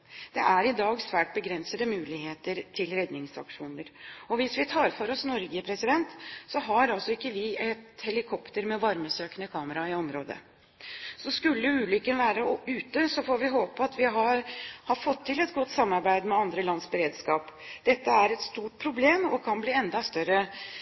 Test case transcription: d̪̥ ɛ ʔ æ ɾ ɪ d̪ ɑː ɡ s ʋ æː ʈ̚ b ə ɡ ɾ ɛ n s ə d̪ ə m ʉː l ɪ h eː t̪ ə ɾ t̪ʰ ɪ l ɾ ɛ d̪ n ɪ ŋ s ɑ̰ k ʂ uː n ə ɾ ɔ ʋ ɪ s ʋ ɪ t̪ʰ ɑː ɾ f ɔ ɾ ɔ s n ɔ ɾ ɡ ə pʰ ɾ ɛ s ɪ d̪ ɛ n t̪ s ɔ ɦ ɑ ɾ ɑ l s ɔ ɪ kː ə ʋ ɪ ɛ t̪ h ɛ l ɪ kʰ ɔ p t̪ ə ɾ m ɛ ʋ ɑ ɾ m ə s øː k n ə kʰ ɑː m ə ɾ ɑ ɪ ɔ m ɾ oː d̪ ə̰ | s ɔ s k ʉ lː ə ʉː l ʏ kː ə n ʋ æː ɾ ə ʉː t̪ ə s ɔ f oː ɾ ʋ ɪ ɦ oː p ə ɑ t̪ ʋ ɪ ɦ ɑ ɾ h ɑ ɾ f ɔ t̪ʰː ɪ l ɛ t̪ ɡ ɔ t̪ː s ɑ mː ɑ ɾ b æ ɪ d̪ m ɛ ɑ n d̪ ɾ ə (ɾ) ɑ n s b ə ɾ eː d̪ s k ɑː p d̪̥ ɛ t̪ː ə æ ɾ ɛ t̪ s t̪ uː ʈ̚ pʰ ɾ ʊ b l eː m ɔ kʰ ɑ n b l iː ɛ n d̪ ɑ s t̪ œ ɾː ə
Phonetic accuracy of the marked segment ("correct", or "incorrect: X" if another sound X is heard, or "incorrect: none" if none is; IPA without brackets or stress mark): incorrect: l